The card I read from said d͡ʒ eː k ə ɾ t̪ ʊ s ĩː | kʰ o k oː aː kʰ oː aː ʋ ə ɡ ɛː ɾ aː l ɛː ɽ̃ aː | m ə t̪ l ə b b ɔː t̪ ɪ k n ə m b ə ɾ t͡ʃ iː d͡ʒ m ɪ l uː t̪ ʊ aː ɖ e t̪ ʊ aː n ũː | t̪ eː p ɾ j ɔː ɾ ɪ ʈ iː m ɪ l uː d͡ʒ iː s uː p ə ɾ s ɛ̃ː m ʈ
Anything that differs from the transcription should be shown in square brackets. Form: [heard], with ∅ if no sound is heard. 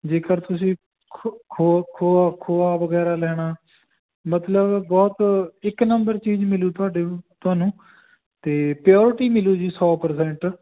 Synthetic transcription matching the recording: d͡ʒ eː k ə ɾ t̪ ʊ s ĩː | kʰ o [kʰ] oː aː kʰ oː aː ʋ ə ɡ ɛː ɾ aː l ɛː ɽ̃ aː | m ə t̪ l ə b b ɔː t̪ ɪ k n ə m b ə ɾ t͡ʃ iː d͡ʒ m ɪ l uː t̪ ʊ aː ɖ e t̪ ʊ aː n ũː | t̪ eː p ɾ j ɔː ɾ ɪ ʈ iː m ɪ l uː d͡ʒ iː s [ɔː] p ə ɾ s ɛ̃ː [ɳ] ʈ